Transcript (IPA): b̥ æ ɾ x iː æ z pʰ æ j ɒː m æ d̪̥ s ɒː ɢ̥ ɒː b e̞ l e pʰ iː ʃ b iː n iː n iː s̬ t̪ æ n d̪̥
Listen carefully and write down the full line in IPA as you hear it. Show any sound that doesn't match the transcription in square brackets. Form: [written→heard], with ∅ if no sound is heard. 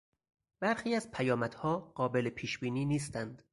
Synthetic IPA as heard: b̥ æ ɾ x iː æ z pʰ æ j ɒː m æ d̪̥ [s→h] ɒː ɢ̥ ɒː b e̞ l e pʰ iː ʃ b iː n iː n iː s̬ t̪ æ n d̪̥

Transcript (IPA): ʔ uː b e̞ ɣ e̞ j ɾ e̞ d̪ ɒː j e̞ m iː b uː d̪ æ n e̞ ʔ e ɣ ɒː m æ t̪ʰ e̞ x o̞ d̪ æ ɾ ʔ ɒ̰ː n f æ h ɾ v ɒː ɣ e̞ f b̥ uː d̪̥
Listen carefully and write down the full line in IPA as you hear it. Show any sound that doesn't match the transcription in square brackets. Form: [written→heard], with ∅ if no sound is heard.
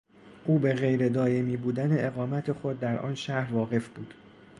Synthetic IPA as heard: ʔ uː b e̞ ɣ e̞ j ɾ e̞ d̪ ɒː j e̞ m iː b uː d̪ æ n e̞ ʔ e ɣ ɒː m æ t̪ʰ e̞ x o̞ [d̪→d̪ː] æ ɾ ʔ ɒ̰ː n [f→ʃ] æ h ɾ v ɒː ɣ e̞ f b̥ uː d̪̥

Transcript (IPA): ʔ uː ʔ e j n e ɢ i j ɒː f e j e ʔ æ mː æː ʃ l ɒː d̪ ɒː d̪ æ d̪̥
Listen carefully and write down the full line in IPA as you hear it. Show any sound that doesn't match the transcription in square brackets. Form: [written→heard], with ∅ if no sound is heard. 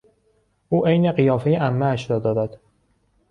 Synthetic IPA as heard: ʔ uː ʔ e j n e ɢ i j ɒː f e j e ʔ æ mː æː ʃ [l→ɾ] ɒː d̪ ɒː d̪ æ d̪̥

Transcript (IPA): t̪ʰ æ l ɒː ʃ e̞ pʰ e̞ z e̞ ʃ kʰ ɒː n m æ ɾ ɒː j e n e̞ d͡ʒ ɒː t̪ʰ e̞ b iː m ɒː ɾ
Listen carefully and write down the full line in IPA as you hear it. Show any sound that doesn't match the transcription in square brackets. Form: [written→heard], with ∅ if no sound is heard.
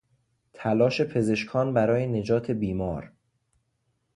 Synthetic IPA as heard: t̪ʰ æ l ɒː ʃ e̞ pʰ e̞ z e̞ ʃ kʰ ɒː n [m→b] æ ɾ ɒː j e n e̞ d͡ʒ ɒː t̪ʰ e̞ b iː m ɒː ɾ

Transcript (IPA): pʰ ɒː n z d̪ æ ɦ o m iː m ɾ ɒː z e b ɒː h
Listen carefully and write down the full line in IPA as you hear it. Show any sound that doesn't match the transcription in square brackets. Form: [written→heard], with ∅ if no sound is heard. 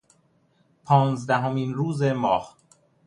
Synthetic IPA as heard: pʰ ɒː n z d̪ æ ɦ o m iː [m→n] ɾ [ɒː→uː] z e [b→m] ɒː h

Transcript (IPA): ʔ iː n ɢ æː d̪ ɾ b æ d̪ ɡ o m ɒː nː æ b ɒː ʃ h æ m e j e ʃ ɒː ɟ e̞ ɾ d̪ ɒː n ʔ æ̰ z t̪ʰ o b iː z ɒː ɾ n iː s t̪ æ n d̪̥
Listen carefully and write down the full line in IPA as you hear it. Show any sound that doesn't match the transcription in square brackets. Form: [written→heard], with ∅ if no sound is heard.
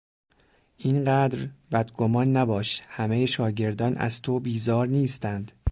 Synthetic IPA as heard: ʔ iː n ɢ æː d̪ ɾ b æ d̪ ɡ o m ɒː nː æ b ɒː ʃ h æ m e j e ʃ ɒː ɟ e̞ ɾ d̪ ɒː n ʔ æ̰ z t̪ʰ o b iː z ɒː ɾ n iː s t̪ æ n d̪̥

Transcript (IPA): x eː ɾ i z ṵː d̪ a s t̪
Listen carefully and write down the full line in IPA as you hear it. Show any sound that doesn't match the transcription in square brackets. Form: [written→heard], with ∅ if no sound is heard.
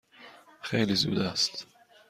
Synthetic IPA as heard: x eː [ɾ→l] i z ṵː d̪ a s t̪

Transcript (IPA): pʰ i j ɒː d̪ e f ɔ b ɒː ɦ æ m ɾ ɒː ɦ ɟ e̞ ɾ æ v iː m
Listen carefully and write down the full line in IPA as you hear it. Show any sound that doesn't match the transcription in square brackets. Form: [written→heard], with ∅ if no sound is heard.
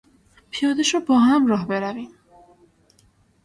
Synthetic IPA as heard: pʰ i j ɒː d̪ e [f→ʃ] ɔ b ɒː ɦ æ m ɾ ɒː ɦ [ɟ→b] e̞ ɾ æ v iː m

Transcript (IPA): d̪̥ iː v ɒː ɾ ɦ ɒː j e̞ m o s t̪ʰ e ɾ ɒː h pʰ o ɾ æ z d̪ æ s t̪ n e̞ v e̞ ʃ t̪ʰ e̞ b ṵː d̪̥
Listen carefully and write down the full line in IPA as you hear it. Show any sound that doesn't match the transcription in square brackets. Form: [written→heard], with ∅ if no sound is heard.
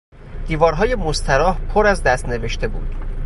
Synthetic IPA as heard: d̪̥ iː v ɒː ɾ ɦ ɒː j e̞ m o s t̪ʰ [e→æ] ɾ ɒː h pʰ o ɾ æ z d̪ æ s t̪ n e̞ v e̞ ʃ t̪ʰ e̞ b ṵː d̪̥

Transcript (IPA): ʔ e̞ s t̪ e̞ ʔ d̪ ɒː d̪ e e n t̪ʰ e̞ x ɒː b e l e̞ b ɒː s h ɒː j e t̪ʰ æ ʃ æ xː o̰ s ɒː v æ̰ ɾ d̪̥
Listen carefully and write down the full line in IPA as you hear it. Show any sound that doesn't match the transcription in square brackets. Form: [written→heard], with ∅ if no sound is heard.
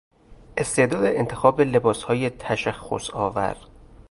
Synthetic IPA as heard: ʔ e̞ s t̪ e̞ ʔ d̪ ɒː d̪ e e n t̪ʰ e̞ x ɒː b e l e̞ b ɒː s h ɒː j e t̪ʰ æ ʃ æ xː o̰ s ɒː v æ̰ ɾ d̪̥

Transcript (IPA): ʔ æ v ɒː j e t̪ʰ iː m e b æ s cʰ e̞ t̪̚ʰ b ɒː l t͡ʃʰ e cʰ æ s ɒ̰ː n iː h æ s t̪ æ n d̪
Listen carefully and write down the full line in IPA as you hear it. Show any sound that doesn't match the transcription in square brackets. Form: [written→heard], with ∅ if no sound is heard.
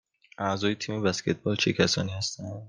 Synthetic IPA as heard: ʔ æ [v→z] ɒː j e t̪ʰ iː m e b æ s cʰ e̞ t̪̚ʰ b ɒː l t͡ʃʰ e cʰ æ s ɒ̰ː n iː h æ s t̪ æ n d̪

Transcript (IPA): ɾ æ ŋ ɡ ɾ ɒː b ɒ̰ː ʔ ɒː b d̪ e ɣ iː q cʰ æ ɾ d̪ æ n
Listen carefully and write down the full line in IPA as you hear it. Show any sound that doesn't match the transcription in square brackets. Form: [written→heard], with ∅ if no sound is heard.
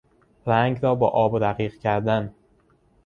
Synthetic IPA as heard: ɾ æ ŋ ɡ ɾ ɒː b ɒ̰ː ʔ ɒː b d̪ [e→æ] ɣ iː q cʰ æ ɾ d̪ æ n

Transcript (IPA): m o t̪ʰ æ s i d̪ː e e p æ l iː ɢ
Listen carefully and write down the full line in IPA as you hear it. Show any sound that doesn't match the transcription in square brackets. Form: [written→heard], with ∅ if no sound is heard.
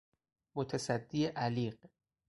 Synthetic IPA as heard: m o t̪ʰ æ s [i→æ] d̪ː [e→i] e [p→ʔ] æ l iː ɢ

